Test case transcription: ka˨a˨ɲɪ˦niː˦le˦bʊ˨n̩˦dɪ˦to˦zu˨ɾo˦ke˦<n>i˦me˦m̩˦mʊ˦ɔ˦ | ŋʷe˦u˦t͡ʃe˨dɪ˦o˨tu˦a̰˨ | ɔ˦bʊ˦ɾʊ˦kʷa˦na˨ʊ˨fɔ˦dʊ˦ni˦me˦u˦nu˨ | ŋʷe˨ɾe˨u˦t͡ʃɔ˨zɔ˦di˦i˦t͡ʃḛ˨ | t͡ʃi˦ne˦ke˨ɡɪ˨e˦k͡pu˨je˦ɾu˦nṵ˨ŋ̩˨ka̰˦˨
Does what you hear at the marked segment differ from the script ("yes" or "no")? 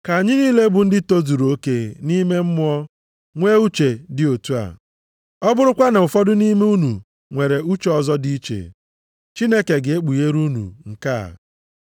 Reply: no